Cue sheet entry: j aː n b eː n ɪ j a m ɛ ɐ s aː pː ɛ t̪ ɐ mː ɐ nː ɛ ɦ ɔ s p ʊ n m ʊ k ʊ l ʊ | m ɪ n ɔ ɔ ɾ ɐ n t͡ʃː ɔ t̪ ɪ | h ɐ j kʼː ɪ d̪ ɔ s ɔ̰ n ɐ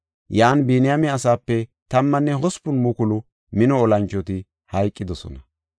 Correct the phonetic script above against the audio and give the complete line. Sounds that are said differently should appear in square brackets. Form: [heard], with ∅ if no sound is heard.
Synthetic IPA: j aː n b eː n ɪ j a m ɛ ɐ s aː pː ɛ t̪ ɐ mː ɐ nː ɛ ɦ ɔ s p ʊ n m ʊ k ʊ l ʊ | m ɪ n ɔ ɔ [l] ɐ n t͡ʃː ɔ t̪ ɪ | h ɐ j kʼː ɪ d̪ ɔ s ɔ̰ n ɐ